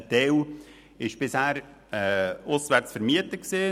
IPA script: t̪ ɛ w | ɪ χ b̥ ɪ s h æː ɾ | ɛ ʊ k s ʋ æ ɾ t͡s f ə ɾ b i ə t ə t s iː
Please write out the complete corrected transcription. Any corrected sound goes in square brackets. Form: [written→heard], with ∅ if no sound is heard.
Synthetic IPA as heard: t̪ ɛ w | ɪ [χ→ʃ] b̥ ɪ s h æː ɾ | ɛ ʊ [k→∅] s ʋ æ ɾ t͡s f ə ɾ [b→m] i ə t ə [t→k] s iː

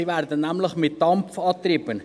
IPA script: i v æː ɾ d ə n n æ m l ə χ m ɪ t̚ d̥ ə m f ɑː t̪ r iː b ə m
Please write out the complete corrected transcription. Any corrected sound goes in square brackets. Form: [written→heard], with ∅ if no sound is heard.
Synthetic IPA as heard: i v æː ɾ d ə n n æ m l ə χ m ɪ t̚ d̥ [ə→ɑ] m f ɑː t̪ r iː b ə [m→n]

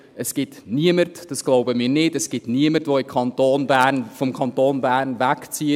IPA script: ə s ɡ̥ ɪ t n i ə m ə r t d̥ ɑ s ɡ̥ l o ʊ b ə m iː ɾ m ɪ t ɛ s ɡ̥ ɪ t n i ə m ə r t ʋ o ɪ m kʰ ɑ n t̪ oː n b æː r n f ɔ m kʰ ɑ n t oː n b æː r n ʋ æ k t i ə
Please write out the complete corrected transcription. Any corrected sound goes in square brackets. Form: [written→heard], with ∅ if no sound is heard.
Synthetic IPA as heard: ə s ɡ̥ ɪ t n i ə m ə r t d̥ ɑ s ɡ̥ l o ʊ b ə m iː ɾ [m→n] ɪ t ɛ s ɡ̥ ɪ t n i ə m ə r t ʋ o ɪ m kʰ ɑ n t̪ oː n b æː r n f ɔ m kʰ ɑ n t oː n b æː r n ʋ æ k [t→t͡s] i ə

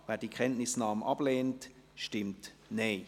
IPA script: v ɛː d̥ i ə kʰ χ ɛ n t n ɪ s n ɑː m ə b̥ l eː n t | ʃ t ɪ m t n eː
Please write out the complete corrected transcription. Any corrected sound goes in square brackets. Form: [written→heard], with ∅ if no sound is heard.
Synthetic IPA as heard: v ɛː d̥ i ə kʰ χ ɛ n t n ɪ s n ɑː m [ə→ɑ] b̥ l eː n t | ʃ t ɪ m t n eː

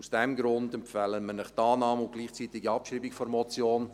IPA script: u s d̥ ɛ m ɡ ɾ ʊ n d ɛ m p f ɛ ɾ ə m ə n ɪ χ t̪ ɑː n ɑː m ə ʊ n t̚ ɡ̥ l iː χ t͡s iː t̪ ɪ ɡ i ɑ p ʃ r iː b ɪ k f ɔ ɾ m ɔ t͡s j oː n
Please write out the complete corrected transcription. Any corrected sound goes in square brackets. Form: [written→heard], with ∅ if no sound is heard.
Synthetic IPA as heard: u s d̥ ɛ m ɡ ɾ ʊ n d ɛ m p f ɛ [ɾ→l] ə m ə n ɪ χ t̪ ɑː n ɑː m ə ʊ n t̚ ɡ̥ l iː χ t͡s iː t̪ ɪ ɡ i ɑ p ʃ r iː b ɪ k f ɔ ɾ m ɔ t͡s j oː n

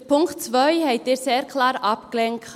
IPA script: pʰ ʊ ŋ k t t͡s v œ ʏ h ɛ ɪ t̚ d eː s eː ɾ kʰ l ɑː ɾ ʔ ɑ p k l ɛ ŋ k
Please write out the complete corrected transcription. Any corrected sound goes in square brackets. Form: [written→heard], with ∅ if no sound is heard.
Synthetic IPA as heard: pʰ ʊ ŋ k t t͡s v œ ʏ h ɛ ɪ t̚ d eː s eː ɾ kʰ l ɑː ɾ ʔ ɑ p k l ɛ ŋ k

